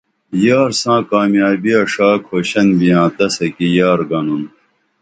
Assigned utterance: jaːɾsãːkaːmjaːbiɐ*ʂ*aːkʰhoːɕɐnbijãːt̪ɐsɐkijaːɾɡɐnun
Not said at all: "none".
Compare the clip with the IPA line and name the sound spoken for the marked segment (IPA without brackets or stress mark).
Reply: ʂ